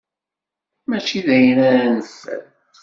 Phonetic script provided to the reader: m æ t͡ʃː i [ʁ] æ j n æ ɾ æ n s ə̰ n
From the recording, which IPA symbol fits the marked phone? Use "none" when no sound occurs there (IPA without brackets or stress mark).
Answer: ð